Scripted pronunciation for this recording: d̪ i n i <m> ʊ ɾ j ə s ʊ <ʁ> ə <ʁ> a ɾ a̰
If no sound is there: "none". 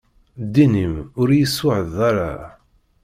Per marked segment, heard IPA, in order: m, ʕ, ð

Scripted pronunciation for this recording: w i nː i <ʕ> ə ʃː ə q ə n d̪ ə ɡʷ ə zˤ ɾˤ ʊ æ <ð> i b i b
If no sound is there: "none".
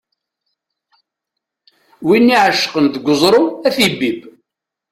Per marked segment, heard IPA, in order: ʕ, θ

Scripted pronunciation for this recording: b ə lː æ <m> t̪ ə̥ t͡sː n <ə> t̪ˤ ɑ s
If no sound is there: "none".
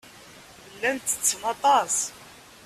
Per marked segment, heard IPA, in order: n, ɑ

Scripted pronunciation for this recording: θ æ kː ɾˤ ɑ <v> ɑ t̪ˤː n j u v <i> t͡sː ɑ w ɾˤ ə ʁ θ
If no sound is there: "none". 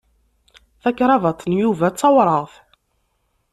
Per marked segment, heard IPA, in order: v, æ

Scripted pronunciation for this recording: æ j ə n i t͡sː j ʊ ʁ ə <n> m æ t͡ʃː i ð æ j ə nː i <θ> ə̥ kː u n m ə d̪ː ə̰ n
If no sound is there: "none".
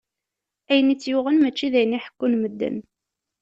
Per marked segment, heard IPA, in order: n, ħ

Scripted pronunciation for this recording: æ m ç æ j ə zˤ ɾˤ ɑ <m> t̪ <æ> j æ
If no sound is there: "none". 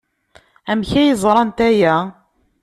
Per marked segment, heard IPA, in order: n, æ

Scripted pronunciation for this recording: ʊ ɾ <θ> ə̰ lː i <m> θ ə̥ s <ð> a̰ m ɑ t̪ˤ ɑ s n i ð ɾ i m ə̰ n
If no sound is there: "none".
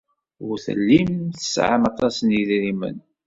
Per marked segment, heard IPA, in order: θ, m, ʕ

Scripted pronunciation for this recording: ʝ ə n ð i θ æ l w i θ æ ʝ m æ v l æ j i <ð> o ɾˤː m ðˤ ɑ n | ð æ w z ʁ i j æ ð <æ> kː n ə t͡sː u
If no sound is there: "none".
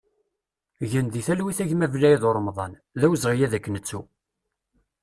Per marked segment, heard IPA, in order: ð, æ

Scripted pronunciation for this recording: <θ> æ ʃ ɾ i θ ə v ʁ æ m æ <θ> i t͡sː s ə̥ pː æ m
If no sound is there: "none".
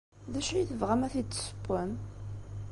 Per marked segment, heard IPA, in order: ð, θ

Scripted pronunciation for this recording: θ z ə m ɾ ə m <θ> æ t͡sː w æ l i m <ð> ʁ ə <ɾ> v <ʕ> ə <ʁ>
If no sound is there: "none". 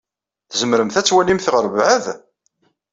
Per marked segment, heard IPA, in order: θ, θ, ɾ, ʕ, ð

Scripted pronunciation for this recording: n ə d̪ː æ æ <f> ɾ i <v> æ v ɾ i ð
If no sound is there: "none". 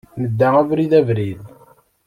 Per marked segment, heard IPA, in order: v, ð

